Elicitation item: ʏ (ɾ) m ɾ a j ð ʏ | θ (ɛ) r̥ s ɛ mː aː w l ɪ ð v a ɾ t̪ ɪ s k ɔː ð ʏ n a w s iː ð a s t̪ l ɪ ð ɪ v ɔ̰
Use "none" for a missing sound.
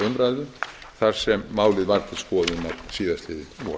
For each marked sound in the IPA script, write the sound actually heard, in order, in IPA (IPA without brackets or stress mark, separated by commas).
none, a